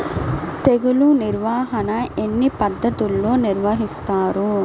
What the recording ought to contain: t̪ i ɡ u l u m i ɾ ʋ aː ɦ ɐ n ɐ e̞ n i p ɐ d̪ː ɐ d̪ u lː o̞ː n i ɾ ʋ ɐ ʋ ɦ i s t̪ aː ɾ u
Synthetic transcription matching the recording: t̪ e ɡ u l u n i ɾ ʋ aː ɦ ɐ n ɐ e̞ nː i p ɐ d̪ː ɐ t̪ u lː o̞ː n i ɾ ʋ ɐ ɦ i s t̪ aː ɾ u